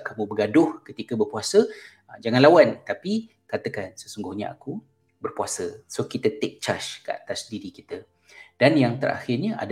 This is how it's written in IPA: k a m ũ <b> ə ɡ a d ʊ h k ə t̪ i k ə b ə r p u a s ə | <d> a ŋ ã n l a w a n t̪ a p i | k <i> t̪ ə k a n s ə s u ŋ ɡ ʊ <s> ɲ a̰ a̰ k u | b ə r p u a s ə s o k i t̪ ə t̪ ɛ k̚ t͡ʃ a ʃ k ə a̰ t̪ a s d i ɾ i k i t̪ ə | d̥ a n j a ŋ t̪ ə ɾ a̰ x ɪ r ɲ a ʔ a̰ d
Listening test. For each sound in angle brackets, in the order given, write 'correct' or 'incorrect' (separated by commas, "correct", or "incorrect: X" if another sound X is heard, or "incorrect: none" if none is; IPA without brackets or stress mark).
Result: correct, incorrect: d͡ʒ, incorrect: a, incorrect: h